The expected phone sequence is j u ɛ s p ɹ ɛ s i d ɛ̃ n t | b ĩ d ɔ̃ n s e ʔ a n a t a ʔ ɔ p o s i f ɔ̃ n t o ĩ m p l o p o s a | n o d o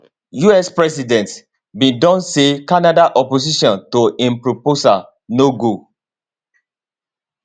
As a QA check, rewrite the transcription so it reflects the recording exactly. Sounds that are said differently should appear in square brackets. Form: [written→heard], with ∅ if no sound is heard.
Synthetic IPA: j u ɛ s p ɹ ɛ s i d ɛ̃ n t | b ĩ d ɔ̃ n s e [ʔ→k] a n a [t→d] a ʔ ɔ p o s i [f→ʃ] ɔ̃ n t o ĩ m p [l→ɹ] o p o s a | n o [d→ɡ] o